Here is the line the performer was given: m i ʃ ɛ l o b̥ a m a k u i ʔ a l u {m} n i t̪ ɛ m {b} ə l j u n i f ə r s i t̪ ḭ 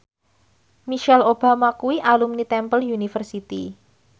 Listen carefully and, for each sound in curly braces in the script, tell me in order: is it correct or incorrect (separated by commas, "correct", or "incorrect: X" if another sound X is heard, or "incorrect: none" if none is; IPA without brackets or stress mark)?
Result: correct, incorrect: p